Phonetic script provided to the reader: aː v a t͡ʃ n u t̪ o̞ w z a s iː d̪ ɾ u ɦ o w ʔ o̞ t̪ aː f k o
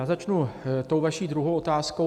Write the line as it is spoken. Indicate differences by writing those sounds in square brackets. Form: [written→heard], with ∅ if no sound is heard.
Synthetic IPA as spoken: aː [v→z] a t͡ʃ n u t̪ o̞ w [z→v] a [s→ʃ] iː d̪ ɾ u ɦ o w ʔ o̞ t̪ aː [f→s] k o